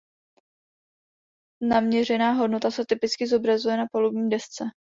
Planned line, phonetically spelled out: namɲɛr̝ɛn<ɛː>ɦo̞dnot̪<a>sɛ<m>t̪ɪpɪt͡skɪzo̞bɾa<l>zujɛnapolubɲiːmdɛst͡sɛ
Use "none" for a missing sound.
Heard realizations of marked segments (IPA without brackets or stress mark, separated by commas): aː, a, none, none